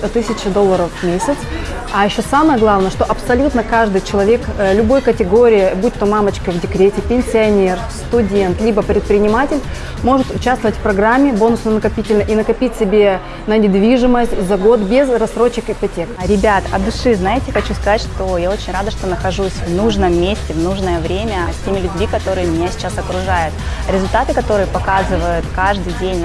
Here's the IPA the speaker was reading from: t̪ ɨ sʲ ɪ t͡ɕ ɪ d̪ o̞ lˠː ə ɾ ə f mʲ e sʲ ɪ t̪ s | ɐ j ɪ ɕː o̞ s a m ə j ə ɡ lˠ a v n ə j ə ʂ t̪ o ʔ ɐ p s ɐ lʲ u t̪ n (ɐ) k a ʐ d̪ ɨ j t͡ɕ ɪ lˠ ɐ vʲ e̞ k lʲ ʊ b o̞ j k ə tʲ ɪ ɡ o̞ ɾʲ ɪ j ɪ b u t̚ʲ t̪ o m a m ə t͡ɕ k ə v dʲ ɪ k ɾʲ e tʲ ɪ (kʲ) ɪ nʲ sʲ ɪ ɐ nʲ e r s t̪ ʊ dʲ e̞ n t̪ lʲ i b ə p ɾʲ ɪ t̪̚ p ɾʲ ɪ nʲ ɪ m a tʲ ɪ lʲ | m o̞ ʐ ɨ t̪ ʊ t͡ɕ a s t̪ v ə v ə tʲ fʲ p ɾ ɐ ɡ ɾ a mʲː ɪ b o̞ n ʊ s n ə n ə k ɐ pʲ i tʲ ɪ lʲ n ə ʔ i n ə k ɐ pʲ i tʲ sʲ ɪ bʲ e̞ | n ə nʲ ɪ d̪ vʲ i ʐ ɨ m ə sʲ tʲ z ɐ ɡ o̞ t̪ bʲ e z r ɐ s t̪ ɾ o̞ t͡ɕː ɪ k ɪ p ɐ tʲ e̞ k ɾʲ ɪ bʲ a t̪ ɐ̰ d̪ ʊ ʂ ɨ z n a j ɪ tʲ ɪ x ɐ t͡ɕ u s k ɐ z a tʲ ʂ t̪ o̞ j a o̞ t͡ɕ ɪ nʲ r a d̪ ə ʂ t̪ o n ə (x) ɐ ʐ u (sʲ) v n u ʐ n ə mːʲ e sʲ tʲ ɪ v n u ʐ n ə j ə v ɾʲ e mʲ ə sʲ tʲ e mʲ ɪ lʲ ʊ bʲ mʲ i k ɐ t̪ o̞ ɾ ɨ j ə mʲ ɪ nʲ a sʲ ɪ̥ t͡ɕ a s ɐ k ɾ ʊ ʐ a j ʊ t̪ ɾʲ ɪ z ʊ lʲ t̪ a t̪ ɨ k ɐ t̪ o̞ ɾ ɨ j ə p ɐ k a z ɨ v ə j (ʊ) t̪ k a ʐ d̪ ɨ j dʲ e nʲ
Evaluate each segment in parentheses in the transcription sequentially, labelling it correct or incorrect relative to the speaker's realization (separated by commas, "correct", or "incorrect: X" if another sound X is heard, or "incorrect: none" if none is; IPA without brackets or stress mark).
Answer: incorrect: ə, incorrect: pʲ, correct, correct, correct